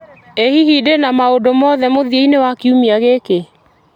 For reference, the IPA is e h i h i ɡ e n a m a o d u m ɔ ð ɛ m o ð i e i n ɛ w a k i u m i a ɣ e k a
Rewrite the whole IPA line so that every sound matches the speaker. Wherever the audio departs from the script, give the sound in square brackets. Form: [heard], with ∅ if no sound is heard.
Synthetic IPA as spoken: e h i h i [d] e n a m a o d [o] m ɔ ð ɛ m o ð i e i n [e] w a k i u m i a ɣ e k [e]